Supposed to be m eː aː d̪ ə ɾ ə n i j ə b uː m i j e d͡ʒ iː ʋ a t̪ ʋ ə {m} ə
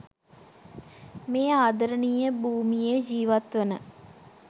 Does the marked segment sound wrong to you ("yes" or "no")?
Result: yes